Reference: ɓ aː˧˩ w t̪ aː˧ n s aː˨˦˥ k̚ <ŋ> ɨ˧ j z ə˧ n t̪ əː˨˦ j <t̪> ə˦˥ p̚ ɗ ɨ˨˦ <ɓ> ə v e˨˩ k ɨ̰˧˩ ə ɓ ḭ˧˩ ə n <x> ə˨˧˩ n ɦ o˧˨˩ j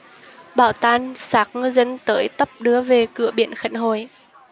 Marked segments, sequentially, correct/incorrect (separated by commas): correct, correct, incorrect, correct